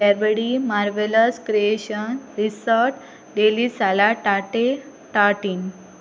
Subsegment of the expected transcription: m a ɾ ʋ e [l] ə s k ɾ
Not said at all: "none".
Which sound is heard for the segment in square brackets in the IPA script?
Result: l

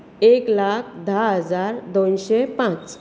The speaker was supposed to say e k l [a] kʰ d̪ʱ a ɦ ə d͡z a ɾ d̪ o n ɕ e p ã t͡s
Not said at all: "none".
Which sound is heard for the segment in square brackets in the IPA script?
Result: a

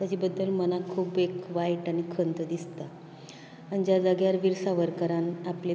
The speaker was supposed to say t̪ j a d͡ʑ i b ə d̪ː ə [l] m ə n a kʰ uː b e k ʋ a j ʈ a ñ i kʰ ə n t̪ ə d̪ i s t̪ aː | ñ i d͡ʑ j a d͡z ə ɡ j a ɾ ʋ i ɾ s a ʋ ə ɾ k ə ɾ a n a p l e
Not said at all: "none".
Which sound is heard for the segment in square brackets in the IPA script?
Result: l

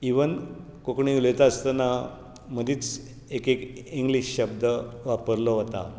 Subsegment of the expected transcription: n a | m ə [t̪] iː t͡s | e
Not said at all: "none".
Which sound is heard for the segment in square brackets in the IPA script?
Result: d̪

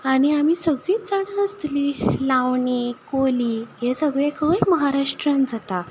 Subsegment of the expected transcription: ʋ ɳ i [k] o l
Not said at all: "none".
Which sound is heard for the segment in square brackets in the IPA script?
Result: k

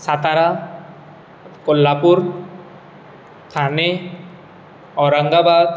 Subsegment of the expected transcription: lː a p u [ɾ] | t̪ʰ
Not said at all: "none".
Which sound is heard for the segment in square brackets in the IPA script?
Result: ɾ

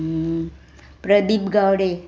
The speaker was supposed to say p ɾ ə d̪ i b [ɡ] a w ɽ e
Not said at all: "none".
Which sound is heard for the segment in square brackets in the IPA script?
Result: ɡ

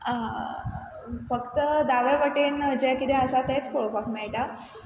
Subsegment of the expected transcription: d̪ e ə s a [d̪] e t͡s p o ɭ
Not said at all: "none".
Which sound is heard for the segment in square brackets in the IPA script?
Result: t̪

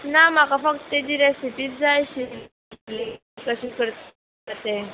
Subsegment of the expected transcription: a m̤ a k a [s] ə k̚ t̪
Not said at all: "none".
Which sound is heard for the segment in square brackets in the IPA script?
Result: f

